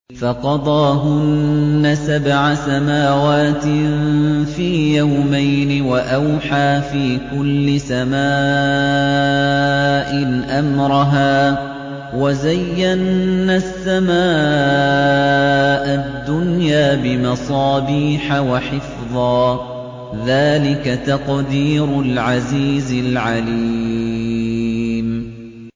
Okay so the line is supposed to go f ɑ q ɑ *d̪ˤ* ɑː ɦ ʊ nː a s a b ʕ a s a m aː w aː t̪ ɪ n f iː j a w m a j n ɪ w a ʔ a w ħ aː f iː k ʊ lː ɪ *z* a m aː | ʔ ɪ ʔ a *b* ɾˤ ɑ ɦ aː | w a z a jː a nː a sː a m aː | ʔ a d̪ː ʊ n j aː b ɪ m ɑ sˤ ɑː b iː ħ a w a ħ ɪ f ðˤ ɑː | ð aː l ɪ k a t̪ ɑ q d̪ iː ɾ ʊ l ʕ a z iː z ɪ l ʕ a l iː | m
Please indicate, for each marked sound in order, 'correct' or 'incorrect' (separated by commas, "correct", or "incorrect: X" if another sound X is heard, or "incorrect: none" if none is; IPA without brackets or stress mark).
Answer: correct, incorrect: s, incorrect: m